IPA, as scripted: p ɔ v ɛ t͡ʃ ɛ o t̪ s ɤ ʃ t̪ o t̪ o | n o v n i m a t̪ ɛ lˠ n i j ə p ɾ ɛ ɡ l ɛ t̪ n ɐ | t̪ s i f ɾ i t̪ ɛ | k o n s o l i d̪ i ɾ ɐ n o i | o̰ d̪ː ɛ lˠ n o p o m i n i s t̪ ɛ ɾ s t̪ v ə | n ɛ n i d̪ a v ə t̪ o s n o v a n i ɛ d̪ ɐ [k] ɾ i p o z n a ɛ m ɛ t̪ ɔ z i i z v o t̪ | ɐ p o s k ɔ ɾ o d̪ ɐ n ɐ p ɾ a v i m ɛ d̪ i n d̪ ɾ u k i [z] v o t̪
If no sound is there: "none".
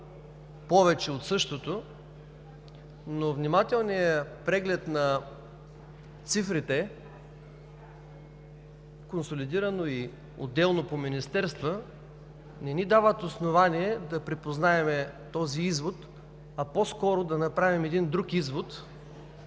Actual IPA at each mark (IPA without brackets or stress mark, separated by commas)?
p, z